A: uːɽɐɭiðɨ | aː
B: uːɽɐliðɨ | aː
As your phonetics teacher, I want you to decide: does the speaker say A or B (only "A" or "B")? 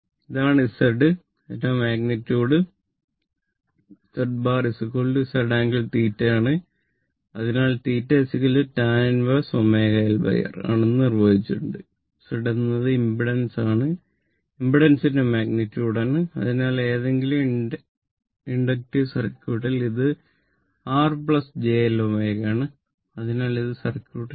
B